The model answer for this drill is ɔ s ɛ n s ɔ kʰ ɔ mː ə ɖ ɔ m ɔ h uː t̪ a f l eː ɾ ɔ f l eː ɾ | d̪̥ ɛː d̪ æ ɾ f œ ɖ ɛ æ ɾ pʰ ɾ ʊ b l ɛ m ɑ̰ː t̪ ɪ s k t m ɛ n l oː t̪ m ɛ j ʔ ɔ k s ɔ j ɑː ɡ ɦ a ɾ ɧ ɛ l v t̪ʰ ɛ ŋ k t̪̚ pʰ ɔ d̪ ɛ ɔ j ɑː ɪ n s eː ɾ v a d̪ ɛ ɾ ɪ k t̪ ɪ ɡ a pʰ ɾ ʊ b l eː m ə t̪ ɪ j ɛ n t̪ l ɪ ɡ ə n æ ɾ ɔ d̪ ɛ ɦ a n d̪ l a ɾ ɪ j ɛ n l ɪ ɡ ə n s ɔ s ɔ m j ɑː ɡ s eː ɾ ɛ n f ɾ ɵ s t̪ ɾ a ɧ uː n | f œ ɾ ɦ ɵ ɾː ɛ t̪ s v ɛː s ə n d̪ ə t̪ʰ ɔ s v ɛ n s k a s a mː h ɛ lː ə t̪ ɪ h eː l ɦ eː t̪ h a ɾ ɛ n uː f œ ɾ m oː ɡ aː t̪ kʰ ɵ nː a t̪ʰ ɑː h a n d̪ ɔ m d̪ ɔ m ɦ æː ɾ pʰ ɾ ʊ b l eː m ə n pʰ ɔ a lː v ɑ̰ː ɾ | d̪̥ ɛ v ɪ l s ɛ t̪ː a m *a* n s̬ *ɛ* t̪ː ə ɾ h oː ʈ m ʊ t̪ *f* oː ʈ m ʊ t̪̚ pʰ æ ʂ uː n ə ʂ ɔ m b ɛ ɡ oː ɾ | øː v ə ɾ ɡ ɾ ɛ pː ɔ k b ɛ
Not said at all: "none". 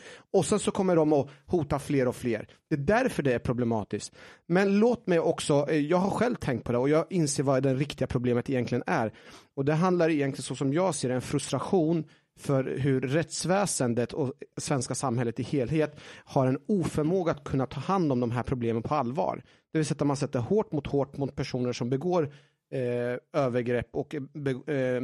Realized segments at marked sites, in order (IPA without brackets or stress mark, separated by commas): a, ɛ, h